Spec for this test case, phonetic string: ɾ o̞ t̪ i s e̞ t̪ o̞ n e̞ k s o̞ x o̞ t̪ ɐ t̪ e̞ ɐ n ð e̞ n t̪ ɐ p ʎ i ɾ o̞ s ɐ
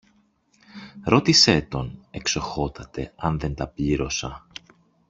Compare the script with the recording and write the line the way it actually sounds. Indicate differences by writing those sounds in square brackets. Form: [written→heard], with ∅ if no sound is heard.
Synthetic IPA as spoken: ɾ o̞ t̪ i s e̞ t̪ o̞ n e̞ k s o̞ x o̞ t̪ ɐ t̪ e̞ ɐ n ð e̞ n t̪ ɐ p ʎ i ɾ o̞ s ɐ